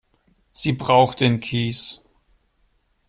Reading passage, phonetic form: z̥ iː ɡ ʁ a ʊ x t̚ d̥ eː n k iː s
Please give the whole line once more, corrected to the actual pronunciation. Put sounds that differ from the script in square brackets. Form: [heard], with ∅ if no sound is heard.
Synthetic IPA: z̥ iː [b] ʁ a ʊ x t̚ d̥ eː n [kʰ] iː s